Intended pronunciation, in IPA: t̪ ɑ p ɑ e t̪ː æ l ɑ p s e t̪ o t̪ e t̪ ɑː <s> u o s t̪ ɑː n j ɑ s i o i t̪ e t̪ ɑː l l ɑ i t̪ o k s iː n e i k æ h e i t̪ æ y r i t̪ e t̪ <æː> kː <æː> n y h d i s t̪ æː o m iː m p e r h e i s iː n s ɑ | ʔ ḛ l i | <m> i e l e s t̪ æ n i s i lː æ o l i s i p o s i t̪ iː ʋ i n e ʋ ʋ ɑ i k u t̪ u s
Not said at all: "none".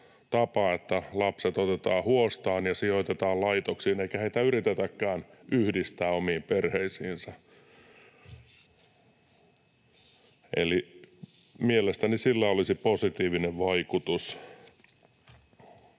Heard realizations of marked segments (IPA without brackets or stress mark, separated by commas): h, æ, æː, m